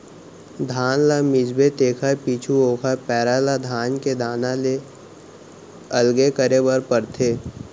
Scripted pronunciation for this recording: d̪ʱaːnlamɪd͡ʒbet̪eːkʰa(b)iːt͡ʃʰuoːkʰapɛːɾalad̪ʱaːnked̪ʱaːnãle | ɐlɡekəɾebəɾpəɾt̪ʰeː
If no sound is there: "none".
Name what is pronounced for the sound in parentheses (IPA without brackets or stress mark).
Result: p